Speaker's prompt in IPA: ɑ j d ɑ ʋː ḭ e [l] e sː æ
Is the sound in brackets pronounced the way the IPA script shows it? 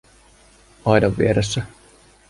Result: no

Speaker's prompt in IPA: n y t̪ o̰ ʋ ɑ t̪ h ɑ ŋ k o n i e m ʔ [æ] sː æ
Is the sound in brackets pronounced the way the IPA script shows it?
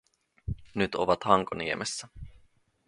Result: no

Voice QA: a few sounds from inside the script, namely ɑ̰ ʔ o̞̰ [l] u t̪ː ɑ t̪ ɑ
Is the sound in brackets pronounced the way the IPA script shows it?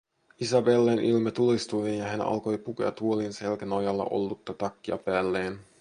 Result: no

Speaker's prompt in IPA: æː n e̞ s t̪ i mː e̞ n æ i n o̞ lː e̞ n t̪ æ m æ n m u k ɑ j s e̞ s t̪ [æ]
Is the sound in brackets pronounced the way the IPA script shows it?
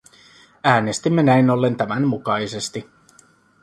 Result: no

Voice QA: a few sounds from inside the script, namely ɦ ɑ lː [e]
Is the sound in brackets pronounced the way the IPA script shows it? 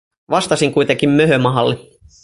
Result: yes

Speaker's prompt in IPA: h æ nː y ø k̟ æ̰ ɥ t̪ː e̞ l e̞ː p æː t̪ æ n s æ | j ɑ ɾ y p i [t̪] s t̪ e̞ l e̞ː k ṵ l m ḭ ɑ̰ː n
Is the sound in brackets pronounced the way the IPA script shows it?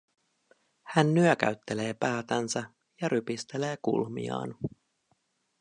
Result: no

